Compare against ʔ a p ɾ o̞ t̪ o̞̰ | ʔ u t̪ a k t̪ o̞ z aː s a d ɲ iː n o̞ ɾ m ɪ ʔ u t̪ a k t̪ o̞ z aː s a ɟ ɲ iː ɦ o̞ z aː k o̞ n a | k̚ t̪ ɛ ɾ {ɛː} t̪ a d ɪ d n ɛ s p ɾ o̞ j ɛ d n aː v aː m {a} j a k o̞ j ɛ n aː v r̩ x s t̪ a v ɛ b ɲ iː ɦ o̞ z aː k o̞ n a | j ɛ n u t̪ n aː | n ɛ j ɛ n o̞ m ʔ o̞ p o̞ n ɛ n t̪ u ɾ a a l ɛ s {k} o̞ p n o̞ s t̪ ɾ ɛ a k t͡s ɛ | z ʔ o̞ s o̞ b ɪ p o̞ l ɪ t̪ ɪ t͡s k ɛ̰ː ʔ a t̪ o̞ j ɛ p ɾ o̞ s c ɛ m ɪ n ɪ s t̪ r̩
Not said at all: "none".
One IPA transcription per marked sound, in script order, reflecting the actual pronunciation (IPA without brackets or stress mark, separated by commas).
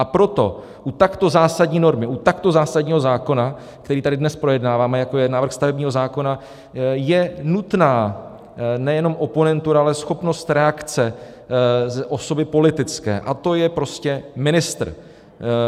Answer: iː, ɛ, x